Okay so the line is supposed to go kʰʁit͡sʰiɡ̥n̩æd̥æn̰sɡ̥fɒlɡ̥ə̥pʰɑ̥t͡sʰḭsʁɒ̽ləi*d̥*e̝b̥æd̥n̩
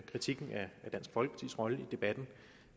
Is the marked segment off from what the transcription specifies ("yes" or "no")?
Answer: no